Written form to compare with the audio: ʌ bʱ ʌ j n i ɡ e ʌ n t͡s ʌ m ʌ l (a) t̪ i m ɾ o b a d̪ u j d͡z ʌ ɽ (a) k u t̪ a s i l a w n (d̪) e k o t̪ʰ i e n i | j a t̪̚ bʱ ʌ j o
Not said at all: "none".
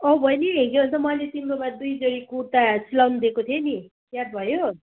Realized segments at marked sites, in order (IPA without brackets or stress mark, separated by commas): e, i, d̪